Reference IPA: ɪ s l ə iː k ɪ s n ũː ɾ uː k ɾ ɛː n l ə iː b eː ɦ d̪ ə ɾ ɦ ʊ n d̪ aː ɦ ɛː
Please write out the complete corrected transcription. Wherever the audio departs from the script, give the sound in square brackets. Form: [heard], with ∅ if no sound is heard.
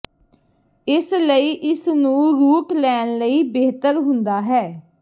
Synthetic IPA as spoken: ɪ s l ə iː [ʔ] ɪ s n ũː ɾ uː k [l] ɛː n l ə iː b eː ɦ [t̪] ə ɾ ɦ ʊ n d̪ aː ɦ ɛː